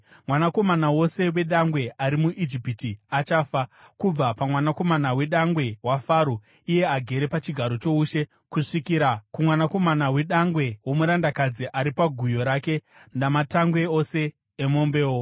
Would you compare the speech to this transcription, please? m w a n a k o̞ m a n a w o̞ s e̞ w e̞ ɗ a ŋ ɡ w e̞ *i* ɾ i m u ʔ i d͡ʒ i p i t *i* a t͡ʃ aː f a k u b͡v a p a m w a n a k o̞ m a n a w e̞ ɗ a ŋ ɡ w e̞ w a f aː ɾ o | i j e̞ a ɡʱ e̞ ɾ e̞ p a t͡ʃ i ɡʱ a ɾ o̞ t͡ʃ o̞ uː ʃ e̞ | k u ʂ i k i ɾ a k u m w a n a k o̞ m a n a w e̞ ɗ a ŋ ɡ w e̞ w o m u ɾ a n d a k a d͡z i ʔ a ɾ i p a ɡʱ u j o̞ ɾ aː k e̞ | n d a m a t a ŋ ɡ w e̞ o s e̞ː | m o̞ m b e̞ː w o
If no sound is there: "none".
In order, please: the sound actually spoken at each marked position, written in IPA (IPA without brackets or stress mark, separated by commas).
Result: a, i